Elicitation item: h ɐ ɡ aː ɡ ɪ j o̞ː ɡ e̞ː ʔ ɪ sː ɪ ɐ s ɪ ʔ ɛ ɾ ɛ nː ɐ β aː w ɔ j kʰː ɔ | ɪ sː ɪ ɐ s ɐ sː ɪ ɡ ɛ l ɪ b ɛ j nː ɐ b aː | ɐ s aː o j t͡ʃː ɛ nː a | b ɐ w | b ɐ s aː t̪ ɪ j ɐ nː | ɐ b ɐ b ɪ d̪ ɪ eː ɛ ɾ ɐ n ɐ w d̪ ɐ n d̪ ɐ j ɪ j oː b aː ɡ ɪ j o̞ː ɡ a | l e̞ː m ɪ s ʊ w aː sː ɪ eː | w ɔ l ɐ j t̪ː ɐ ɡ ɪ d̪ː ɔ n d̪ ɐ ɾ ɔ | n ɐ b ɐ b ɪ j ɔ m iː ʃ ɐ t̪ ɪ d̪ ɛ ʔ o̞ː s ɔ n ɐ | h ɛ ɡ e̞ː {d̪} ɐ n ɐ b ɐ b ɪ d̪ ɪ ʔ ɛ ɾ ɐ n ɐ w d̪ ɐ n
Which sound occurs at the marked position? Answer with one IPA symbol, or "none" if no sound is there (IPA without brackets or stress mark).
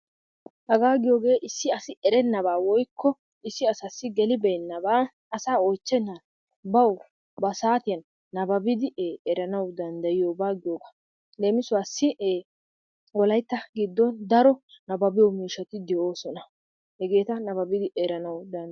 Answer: t̪